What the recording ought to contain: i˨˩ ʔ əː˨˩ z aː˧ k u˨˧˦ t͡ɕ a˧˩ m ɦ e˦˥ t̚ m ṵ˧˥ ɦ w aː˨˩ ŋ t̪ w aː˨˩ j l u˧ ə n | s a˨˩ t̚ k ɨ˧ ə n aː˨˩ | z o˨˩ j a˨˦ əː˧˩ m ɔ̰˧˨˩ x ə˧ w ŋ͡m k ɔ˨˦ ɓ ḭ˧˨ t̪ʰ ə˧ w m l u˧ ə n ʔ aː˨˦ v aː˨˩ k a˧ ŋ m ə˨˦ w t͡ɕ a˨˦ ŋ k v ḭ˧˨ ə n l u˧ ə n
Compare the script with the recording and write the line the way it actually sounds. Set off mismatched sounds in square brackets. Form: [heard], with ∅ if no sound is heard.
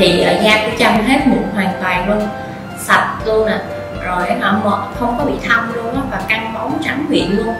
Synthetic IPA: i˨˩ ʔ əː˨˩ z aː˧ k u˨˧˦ t͡ɕ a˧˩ m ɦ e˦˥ t̚ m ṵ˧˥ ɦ w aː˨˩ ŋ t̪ w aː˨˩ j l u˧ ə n | s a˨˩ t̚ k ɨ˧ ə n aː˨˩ | z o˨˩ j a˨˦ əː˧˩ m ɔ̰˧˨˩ x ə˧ w ŋ͡m k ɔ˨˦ ɓ ḭ˧˨ t̪ʰ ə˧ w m l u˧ ə n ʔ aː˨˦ v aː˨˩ k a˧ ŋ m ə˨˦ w t͡ɕ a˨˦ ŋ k [w] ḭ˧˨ ə n l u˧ ə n